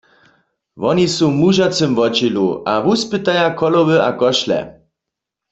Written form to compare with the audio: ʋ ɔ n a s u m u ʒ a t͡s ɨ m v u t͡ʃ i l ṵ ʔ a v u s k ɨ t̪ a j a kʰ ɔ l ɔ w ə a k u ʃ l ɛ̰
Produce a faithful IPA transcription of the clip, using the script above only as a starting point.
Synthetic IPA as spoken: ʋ ɔ n i s u m u ʒ a t͡s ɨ m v ɔ t͡ʃ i l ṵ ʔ a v u s p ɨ t̪ a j a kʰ ɔ l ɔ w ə a k ɔ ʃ l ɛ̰